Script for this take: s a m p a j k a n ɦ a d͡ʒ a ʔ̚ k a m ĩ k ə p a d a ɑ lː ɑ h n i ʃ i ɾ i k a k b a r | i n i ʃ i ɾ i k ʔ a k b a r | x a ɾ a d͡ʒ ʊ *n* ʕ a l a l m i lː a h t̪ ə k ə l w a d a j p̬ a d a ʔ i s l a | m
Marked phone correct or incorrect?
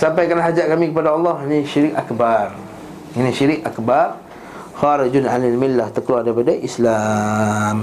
correct